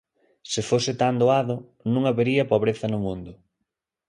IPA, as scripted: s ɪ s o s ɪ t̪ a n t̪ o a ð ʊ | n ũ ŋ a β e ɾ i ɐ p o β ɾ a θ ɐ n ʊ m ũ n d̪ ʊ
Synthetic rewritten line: s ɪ f o s ɪ t̪ a n d̪ o a ð ʊ | n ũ ŋ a β e ɾ i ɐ p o β ɾ e θ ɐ n ʊ m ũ n d̪ ʊ